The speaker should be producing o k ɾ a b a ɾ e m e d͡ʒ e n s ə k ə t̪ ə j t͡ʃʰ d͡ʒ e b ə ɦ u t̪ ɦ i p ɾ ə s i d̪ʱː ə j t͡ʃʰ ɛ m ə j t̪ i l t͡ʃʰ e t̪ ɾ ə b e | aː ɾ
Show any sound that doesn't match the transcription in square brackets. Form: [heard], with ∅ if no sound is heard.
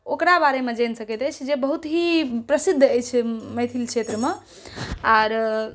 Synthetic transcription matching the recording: o k ɾ a b a ɾ e m e d͡ʒ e n s ə k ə t̪ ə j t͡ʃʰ d͡ʒ e b ə ɦ u t̪ ɦ i p ɾ ə s i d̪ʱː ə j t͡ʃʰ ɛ m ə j [t̪ʰ] i l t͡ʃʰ e t̪ ɾ ə [m] e | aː ɾ